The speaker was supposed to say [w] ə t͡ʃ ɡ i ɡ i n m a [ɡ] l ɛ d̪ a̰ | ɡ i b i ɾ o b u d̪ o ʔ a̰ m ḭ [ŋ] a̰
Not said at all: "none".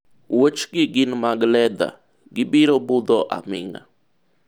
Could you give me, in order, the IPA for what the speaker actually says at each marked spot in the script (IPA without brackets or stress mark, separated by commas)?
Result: w, ɡ, ŋ